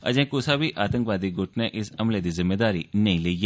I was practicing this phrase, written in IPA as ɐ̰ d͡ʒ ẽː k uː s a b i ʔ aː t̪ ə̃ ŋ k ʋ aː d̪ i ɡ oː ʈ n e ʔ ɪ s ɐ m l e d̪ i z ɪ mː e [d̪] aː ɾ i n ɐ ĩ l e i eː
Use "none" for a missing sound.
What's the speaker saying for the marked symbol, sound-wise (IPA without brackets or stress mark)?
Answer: d̪